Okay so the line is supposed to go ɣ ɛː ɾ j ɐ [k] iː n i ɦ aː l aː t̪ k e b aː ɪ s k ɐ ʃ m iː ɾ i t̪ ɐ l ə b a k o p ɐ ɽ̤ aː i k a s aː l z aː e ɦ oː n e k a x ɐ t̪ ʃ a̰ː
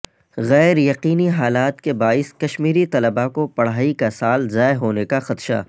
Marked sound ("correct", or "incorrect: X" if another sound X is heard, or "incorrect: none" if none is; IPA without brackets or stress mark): incorrect: q